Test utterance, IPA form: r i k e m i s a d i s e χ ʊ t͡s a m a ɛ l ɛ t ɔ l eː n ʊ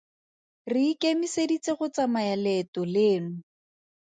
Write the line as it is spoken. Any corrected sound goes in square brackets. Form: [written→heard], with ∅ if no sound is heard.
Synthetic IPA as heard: r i k e m i s [a→e] d i [s→t͡s] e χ ʊ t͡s a m a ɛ l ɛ t ɔ l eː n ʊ